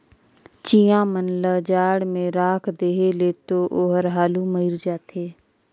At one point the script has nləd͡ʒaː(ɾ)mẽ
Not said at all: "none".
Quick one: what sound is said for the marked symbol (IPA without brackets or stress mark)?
ɽ